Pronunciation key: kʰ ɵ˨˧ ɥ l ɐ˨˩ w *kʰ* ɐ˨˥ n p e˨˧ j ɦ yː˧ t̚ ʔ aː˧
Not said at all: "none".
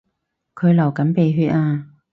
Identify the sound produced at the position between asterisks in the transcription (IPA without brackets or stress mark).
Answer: k